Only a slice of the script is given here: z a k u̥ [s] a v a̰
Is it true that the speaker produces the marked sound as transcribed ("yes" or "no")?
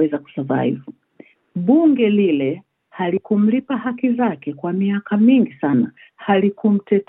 yes